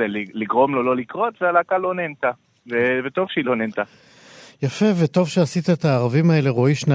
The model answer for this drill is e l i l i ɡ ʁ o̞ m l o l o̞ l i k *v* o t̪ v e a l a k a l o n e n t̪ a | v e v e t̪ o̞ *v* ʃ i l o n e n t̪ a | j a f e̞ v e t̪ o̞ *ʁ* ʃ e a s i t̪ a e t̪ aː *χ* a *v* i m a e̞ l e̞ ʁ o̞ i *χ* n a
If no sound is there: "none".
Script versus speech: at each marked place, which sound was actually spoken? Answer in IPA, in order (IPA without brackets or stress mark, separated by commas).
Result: ʁ, v, v, ʁ, v, ʃ